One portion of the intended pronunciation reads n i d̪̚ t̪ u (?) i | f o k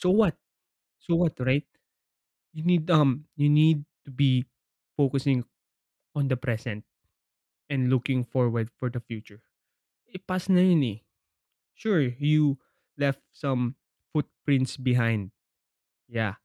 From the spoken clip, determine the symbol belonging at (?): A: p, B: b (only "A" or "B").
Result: B